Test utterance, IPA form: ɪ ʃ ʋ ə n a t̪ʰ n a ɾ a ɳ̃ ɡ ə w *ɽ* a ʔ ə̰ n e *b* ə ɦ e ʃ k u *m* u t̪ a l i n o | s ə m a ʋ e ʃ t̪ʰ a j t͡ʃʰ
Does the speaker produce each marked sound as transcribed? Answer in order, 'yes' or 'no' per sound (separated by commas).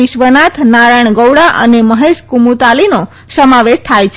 yes, no, yes